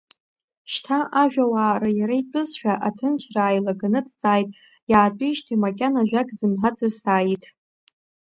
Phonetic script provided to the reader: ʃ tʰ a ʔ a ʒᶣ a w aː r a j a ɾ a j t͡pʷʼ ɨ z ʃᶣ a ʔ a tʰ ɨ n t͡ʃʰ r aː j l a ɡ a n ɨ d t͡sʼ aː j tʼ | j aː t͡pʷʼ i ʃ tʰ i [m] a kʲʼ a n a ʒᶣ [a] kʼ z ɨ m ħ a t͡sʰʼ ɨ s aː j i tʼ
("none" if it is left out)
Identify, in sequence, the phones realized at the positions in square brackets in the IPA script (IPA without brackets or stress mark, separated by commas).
m, a